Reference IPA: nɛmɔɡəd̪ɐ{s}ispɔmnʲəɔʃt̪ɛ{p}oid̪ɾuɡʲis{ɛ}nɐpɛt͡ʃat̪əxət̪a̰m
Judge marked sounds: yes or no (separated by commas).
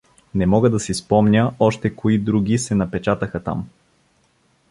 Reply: yes, no, yes